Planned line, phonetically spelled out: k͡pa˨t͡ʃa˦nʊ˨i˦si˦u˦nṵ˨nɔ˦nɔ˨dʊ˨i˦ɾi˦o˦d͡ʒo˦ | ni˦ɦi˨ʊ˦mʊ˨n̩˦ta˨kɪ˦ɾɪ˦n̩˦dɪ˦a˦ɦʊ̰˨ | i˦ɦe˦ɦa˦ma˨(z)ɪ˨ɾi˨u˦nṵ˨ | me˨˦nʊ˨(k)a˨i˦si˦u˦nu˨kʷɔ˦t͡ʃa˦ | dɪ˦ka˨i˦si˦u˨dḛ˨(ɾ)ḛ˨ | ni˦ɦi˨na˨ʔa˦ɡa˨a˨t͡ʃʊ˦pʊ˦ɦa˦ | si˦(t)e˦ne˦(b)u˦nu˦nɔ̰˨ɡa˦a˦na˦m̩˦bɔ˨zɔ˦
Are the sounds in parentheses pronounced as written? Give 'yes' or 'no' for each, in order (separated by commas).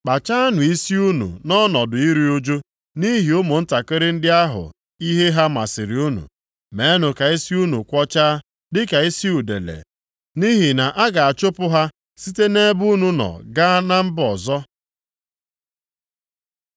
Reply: no, yes, no, yes, yes